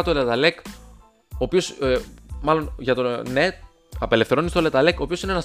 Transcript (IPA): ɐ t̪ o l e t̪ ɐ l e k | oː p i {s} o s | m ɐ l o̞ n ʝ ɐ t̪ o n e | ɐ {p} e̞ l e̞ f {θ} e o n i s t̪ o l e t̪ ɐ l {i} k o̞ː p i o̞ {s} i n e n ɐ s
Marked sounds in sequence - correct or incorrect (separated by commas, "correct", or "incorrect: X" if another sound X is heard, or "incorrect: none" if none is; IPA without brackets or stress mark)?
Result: incorrect: none, correct, correct, incorrect: e, correct